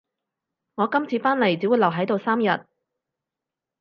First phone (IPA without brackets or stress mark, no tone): ŋ